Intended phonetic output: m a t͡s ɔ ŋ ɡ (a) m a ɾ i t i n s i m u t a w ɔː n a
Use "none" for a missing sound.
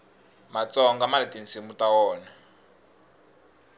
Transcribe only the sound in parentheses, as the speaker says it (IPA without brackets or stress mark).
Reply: a